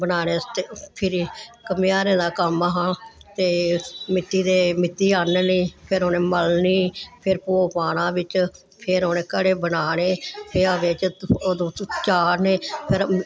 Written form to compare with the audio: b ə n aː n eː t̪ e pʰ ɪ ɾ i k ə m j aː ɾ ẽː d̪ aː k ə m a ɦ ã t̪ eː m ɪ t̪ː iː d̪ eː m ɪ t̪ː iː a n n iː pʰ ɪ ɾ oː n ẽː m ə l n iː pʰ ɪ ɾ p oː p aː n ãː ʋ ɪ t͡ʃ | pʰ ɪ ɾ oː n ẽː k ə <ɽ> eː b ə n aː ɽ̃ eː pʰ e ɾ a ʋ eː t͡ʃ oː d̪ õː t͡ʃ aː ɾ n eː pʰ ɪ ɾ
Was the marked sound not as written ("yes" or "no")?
no